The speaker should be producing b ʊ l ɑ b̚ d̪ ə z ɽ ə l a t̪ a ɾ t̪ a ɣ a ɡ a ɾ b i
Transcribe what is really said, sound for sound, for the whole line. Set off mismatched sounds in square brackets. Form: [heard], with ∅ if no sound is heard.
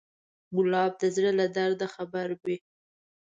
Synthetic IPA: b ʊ l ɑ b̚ d̪ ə z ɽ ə l a [d̪] a ɾ [d̪] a [x] a [b] a ɾ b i